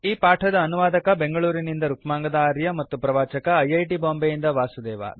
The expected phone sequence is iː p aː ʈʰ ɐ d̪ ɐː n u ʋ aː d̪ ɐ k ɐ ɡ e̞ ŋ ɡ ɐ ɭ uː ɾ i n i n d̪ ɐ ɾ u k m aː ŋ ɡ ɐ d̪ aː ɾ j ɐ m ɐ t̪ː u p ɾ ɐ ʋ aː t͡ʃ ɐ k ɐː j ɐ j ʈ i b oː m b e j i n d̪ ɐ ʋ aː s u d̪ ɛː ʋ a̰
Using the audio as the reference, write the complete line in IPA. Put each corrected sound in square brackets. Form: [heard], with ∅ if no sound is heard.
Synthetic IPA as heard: iː p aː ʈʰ ɐ d̪ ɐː n u ʋ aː d̪ ɐ k ɐ [b] e̞ ŋ ɡ ɐ ɭ uː ɾ i n i n d̪ ɐ ɾ u k m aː ŋ ɡ ɐ d̪ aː ɾ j ɐ m ɐ t̪ː u p ɾ ɐ ʋ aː t͡ʃ ɐ k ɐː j ɐ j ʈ i b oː m b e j i n d̪ ɐ ʋ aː s u d̪ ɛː ʋ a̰